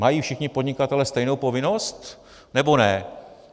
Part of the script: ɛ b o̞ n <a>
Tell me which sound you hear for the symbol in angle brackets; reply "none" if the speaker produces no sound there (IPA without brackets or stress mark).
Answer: ɛ